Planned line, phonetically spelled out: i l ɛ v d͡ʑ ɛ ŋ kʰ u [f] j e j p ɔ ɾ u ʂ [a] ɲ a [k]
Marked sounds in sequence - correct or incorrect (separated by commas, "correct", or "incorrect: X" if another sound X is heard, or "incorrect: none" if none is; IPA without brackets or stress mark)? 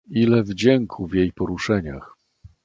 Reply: incorrect: v, incorrect: ɛ, incorrect: x